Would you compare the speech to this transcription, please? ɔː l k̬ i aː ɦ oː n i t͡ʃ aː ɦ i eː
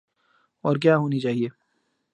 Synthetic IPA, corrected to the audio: ɔː ɾ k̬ j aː ɦ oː n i t͡ʃ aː ɦ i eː

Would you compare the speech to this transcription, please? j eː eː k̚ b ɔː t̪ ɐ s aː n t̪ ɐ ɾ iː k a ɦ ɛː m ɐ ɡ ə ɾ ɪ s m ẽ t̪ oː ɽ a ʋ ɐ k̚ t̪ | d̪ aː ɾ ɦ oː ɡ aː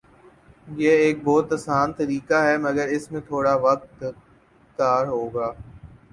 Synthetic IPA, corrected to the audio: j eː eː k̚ b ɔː t̪ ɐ s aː n t̪ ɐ ɾ iː k a ɦ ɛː m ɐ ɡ ə ɾ ɪ s m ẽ t̪ʰ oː ɽ a ʋ ɐ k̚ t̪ | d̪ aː ɾ ɦ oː ɡ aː

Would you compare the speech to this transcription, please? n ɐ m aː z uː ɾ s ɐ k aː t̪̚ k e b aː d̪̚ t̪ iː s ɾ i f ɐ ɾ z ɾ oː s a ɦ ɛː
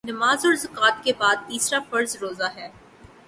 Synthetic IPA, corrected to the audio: n ɐ m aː z ɔː ɾ z ɐ k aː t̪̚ k e b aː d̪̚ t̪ iː s ɾ a f ɐ ɾ z ɾ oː z a ɦ ɛː

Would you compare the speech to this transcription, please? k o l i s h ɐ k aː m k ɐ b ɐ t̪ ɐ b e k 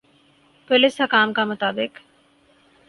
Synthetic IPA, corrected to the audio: p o l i s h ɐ k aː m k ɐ m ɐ t̪ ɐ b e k

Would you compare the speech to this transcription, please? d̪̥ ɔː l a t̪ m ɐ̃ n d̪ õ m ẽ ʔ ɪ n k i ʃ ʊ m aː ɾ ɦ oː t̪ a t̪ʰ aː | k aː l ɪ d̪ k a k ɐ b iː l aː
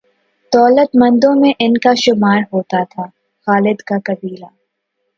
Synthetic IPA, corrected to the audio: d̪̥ ɔː l ə t̪ m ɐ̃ n d̪ õ m ẽ ʔ ɪ n k a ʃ ʊ m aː ɾ ɦ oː t̪ a t̪ʰ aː | x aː l ɪ d̪ k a k ɐ b iː l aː

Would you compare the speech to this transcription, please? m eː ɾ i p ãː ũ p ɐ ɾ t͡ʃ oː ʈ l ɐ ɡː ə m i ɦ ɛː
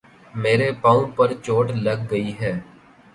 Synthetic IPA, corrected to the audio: m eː ɾ e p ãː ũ p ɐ ɾ t͡ʃ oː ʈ l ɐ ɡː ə i ɦ ɛː

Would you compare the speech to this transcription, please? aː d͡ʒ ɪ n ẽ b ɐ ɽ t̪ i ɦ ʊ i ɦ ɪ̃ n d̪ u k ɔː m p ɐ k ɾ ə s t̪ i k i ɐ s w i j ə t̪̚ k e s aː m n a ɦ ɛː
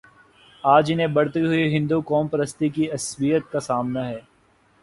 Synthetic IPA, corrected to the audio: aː d͡ʒ ɪ n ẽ b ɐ ɽ t̪ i ɦ ʊ i ɦ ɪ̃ n d̪ u k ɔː m p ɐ ɾ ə s t̪ i k i ɐ s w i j ə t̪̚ k a s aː m n a ɦ ɛː

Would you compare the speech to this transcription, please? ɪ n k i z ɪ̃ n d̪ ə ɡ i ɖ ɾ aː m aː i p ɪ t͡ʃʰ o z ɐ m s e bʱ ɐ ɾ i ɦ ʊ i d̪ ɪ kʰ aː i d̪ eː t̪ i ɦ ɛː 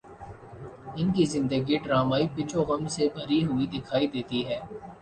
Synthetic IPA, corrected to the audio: ɪ n k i z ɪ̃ n d̪ ə ɡ i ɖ ɾ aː m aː i p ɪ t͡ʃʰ o ɣ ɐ m s e bʱ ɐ ɾ i ɦ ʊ i d̪ ɪ kʰ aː i d̪ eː t̪ i ɦ ɛː

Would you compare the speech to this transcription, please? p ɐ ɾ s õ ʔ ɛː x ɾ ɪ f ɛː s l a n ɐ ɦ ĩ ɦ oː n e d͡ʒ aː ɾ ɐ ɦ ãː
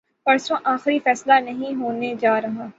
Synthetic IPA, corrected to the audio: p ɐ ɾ s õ ʔ aː x ɾ i f ɛː s l a n ɐ ɦ ĩ ɦ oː n e d͡ʒ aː ɾ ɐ ɦ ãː

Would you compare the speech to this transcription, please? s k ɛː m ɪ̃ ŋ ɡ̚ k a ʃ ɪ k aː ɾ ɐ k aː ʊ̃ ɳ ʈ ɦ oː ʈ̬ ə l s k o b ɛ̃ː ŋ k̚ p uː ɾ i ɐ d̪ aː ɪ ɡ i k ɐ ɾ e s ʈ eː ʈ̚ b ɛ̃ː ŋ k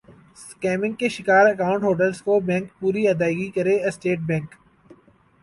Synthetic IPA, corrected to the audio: s k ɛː m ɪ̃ ŋ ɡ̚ k e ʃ ɪ k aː ɾ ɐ k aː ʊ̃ ɳ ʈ ɦ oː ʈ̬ ə l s k o b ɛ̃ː ŋ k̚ p uː ɾ i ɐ d̪ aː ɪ ɡ i k ɐ ɾ e s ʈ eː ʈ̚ b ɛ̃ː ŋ k

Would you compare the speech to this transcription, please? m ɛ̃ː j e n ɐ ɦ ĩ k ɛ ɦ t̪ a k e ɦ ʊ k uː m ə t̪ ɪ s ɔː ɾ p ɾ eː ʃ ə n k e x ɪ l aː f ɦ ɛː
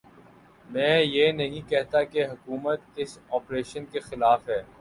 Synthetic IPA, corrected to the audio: m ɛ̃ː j e n ɐ ɦ ĩ k ɛ ɦ t̪ a k e ɦ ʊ k uː m ə t̪ ɪ s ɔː p ɾ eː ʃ ə n k e x ɪ l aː f ɦ ɛː

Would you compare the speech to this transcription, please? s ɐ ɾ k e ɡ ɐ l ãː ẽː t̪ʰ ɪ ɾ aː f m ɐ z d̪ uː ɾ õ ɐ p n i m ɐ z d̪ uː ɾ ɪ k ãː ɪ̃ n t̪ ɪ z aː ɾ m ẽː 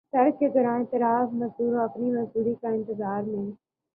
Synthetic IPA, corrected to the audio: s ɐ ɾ k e ɡ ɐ ɾ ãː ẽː t̪ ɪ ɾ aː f m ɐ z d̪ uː ɾ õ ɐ p n i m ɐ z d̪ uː ɾ i k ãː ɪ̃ n t̪ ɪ z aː ɾ m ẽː

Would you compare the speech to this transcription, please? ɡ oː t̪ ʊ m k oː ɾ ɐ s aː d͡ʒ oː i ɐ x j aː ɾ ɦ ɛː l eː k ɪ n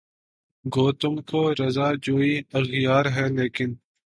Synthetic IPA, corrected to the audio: ɡ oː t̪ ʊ m k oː ɾ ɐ z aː d͡ʒ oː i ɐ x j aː ɾ ɦ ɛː l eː k ɪ n

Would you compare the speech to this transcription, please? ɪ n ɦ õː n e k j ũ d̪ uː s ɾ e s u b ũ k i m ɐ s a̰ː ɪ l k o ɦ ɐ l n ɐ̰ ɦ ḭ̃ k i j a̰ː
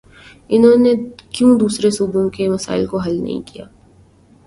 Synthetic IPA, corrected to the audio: ɪ n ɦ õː n e k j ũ d̪ uː s ɾ e s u b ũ k e m ɐ s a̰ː ɪ l k o ɦ ɐ l n ɐ̰ ɦ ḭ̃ k i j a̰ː

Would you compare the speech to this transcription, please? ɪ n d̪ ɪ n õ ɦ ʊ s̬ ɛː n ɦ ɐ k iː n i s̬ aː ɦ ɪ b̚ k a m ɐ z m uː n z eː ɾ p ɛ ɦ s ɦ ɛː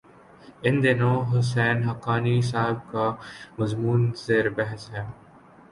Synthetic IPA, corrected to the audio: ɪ n d̪ ɪ n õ ɦ ʊ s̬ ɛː n ɦ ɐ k aː n i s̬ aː ɦ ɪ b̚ k a m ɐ z m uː n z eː ɾ b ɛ ɦ s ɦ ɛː

